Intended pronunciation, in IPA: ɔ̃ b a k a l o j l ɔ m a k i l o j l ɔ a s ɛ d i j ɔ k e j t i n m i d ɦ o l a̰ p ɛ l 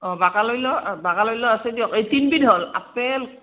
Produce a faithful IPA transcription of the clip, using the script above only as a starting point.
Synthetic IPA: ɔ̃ b a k a l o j l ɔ b a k a l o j l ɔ a s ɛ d i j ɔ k e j t i n b i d ɦ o l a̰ p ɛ l